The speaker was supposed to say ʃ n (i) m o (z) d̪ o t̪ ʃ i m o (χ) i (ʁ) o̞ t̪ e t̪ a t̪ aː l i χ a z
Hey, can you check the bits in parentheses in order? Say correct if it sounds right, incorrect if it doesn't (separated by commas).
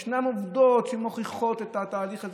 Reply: incorrect, incorrect, correct, incorrect